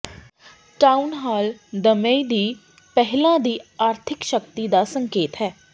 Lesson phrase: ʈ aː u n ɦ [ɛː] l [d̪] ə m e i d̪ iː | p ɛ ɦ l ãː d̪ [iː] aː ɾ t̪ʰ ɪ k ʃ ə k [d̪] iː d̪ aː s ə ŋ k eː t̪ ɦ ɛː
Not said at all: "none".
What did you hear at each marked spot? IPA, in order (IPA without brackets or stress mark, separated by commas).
aː, d̪, iː, t̪